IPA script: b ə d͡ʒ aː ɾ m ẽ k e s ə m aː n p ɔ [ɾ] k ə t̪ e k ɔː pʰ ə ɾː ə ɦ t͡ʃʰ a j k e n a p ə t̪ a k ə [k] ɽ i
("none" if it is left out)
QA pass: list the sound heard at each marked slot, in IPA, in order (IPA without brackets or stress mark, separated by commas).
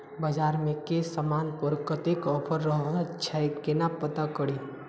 ɾ, none